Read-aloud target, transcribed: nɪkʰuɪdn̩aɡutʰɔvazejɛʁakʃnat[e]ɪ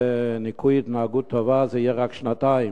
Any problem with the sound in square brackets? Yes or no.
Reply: yes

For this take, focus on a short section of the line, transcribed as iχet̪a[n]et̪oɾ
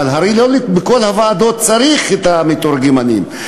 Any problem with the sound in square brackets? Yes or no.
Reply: yes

